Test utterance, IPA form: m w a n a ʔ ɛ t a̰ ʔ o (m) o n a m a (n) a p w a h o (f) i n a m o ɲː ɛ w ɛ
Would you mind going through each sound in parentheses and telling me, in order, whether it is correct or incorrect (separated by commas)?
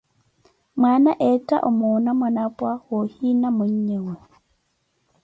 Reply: correct, correct, incorrect